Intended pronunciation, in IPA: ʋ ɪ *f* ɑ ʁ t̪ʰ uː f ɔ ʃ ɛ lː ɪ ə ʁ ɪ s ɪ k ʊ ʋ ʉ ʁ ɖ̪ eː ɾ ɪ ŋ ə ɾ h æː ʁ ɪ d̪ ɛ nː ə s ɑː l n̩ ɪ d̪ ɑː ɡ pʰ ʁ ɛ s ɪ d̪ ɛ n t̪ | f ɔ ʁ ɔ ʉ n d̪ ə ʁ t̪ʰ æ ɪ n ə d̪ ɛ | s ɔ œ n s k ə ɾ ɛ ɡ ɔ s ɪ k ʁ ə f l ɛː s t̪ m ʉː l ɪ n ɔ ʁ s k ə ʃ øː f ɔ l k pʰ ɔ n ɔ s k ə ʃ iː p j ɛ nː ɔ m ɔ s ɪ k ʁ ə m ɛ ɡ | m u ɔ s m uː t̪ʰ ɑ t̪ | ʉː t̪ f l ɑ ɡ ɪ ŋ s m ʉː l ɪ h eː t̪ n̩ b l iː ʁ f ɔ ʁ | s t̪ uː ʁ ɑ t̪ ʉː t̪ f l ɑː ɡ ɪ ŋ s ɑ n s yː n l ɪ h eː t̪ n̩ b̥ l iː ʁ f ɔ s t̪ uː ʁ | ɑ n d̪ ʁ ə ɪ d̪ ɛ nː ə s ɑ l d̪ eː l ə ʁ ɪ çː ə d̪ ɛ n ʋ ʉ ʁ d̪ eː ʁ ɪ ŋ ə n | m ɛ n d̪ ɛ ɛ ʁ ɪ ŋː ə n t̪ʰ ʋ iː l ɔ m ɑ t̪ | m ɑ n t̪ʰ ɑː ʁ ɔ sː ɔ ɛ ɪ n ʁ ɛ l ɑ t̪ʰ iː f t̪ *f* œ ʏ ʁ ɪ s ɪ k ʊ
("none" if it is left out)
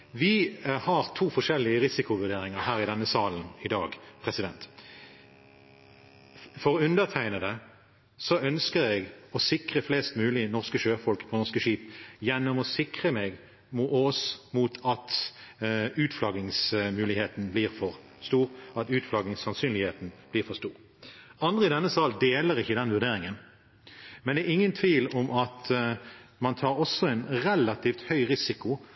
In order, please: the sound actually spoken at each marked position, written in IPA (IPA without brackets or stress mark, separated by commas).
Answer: h, h